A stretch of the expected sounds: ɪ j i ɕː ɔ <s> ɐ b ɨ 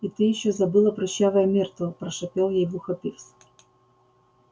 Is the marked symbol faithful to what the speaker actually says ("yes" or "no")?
no